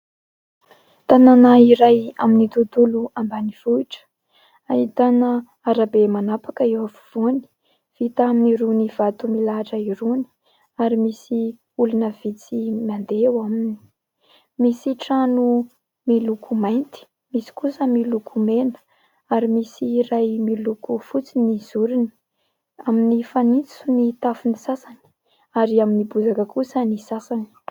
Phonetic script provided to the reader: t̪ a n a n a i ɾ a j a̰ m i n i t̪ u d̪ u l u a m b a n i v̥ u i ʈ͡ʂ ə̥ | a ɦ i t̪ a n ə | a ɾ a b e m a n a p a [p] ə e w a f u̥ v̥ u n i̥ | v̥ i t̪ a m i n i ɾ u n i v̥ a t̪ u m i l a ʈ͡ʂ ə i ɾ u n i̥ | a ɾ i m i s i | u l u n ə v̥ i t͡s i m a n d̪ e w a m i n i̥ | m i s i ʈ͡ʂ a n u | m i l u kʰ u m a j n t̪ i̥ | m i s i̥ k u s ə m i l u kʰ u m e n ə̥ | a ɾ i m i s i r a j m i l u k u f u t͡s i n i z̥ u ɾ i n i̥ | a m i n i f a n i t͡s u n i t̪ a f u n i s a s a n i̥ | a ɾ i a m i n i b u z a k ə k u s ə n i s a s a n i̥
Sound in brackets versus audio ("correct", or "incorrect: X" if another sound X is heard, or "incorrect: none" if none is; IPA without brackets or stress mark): incorrect: k